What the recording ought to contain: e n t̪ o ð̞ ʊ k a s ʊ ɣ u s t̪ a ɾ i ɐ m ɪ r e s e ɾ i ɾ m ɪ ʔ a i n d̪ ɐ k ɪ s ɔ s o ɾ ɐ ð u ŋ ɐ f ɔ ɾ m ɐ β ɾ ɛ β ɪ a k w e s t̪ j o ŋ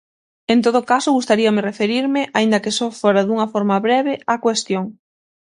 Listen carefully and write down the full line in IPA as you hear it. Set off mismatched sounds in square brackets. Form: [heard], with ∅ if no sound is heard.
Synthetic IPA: e n t̪ o ð̞ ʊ k a s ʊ ɣ u s t̪ a ɾ i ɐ m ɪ r e [f] e ɾ i ɾ m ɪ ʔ a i n d̪ ɐ k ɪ s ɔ [f] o ɾ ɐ ð u ŋ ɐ f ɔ ɾ m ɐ β ɾ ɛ β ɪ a k w e s t̪ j o ŋ